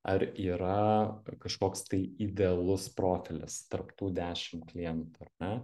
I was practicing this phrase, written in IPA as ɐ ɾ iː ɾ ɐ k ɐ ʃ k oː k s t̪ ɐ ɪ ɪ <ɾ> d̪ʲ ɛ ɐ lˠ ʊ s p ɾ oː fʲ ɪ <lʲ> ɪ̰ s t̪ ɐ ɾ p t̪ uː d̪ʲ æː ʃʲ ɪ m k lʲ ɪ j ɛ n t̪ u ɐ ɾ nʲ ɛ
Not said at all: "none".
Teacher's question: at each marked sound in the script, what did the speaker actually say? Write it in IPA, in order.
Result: none, lʲ

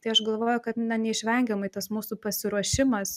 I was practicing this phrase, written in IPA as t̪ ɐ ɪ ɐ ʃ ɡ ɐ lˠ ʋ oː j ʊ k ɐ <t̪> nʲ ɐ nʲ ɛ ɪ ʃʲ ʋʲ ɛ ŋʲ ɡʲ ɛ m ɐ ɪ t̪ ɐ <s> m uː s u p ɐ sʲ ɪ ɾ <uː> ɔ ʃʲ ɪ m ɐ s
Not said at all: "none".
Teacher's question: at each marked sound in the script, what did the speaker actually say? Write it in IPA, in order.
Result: t̪, s, u

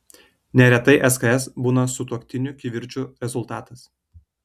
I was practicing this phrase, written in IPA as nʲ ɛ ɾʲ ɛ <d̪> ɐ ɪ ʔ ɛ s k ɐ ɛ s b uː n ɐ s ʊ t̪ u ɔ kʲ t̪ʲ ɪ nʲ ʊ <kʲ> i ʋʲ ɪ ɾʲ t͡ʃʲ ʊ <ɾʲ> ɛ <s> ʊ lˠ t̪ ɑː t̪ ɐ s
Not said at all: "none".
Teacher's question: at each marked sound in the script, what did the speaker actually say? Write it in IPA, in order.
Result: t̪, kʲ, ɾʲ, z

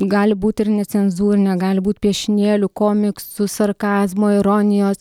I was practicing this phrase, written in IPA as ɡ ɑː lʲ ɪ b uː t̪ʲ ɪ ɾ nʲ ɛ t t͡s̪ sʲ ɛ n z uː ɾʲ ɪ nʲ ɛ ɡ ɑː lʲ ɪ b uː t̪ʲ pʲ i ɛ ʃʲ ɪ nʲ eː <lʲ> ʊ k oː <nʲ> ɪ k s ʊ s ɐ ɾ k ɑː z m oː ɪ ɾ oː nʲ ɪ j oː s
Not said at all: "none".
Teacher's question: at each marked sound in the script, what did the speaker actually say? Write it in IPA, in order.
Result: lʲ, mʲ

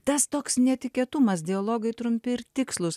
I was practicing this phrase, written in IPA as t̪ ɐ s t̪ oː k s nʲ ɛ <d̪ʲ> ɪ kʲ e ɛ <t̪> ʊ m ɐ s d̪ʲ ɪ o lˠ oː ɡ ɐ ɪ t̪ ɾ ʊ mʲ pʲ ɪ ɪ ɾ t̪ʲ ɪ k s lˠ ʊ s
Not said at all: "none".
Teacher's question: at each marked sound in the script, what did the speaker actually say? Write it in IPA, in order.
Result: t̪ʲ, t̪

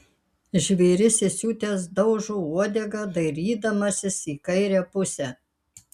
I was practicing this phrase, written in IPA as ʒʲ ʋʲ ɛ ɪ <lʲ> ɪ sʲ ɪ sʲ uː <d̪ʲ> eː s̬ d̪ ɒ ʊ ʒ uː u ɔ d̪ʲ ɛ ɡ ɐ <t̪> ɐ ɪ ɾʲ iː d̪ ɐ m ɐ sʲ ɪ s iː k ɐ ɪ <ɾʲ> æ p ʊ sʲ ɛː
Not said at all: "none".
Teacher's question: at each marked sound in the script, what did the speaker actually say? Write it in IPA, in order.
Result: ɾʲ, t̪ʲ, d̪, ɾʲ

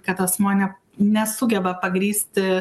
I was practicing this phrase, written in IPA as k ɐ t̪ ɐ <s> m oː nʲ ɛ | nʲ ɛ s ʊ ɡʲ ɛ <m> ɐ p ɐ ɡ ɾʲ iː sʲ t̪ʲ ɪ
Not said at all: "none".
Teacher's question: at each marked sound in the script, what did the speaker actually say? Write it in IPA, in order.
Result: s, b

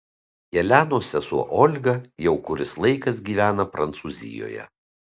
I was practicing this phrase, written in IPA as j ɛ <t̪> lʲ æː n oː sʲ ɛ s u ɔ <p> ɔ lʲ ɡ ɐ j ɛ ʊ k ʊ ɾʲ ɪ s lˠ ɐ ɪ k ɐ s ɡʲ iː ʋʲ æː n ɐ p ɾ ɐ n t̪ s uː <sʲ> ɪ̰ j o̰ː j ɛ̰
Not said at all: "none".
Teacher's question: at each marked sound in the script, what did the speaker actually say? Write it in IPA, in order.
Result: none, ʔ, zʲ

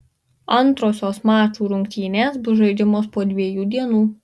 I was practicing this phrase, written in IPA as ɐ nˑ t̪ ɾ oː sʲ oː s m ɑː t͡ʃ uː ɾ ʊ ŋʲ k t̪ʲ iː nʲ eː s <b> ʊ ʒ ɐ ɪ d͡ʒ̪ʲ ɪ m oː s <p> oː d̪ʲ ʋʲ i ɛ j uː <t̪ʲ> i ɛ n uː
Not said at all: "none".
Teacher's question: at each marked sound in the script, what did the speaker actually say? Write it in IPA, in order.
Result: b, p, d̪ʲ

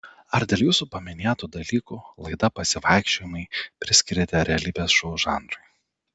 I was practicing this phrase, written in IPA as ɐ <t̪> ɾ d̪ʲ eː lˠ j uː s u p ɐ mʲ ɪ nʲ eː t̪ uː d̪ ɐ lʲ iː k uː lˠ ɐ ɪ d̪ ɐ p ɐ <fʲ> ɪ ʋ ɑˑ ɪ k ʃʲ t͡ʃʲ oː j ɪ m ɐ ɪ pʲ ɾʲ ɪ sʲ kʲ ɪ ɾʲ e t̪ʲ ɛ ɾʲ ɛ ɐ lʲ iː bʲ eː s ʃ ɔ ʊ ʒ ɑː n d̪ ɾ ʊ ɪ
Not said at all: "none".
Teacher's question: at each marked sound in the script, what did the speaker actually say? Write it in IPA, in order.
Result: none, sʲ

